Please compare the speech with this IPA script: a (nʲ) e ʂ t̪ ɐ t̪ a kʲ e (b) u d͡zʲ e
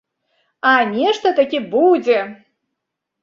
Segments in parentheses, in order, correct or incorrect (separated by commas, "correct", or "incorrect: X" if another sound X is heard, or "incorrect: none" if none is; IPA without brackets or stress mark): correct, correct